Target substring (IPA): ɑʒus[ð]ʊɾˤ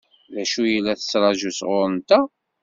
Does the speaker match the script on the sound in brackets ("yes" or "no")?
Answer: no